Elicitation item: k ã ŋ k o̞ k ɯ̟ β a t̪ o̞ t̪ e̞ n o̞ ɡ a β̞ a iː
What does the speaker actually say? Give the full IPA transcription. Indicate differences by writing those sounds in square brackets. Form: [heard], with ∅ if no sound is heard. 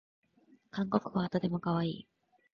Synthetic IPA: k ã ŋ k o̞ k ɯ̟ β a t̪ o̞ t̪ e̞ [m] o̞ [k] a β̞ a iː

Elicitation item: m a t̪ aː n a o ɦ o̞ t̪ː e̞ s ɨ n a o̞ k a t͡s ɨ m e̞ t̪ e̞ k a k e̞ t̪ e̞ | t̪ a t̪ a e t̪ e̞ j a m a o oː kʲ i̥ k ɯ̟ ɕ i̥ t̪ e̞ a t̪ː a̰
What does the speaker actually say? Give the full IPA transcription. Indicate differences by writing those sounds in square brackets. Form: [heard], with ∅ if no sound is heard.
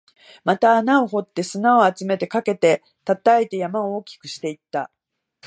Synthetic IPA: m a t̪ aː n a o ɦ o̞ t̪ː e̞ s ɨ n a o̞ [∅] a t͡s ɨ m e̞ t̪ e̞ k a k e̞ t̪ e̞ | t̪ a t̪ a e t̪ e̞ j a m a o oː kʲ i̥ k ɯ̟ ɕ i̥ t̪ e̞ [i] t̪ː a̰

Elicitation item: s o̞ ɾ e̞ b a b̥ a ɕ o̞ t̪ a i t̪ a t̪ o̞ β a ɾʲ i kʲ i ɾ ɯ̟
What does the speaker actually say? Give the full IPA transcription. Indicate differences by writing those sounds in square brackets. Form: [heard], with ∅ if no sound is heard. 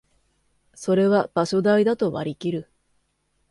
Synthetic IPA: s o̞ ɾ e̞ [β] a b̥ a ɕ o̞ [d̪] a i [d̪] a t̪ o̞ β a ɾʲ i kʲ i ɾ ɯ̟

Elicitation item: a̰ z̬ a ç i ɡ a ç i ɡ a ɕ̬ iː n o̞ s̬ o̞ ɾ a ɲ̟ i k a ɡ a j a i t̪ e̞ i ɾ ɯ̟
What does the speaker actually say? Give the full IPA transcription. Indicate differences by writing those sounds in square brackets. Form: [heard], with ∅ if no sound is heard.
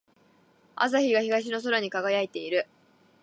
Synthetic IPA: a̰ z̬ a ç i ɡ a ç i ɡ a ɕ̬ [i] n o̞ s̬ o̞ ɾ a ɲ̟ i k a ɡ a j a i t̪ e̞ i ɾ ɯ̟

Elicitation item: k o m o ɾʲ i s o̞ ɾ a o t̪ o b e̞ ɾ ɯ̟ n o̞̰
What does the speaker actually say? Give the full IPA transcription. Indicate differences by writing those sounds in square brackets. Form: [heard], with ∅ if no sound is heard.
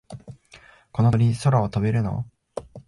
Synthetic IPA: k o [n] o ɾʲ i s o̞ ɾ a o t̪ o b e̞ ɾ ɯ̟ n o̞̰

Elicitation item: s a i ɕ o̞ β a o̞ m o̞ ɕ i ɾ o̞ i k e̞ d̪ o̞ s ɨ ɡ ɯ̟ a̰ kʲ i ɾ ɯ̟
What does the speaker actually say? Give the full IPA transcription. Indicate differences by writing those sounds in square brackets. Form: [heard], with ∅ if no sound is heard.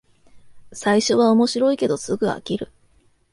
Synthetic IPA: s a i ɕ o̞ β a o̞ m o̞ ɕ i ɾ o̞ i k e̞ d̪ o̞ s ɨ ɡ ɯ̟ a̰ kʲ i ɾ ɯ̟

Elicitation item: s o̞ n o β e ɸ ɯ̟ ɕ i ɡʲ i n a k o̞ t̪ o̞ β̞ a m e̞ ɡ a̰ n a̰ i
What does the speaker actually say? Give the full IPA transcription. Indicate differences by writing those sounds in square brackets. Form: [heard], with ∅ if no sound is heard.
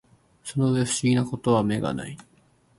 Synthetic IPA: s o̞ n o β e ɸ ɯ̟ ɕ i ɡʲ i n a k o̞ t̪ o̞ β̞ a m e̞ ɡ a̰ n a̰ i

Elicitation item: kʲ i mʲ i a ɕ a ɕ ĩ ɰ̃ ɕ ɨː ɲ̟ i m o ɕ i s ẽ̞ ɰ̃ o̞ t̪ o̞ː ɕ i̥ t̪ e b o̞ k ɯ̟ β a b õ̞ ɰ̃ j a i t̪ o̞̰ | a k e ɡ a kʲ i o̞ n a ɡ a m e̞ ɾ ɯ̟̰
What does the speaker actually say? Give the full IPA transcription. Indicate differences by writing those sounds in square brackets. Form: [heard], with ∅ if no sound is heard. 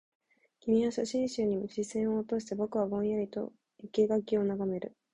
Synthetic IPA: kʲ i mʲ i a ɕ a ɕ ĩ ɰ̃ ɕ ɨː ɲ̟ i m o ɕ i s ẽ̞ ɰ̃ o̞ t̪ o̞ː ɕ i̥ t̪ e b o̞ k ɯ̟ β a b õ̞ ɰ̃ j a i t̪ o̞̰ | [i] k e ɡ a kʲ i o̞ n a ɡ a m e̞ ɾ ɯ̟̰

